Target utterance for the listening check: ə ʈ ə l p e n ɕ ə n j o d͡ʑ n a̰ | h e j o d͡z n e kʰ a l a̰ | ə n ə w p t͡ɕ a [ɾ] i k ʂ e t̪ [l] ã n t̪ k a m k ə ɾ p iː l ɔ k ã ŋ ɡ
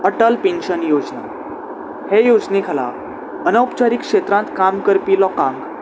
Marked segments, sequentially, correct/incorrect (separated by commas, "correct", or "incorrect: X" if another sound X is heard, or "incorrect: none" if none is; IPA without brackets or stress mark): correct, incorrect: ɾ